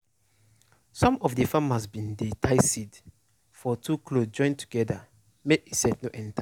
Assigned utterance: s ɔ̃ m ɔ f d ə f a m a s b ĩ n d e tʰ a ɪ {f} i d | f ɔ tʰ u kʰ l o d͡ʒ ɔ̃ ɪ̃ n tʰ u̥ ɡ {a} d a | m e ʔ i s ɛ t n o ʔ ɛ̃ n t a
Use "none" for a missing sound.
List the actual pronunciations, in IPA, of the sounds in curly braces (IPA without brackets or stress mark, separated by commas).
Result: s, ɛ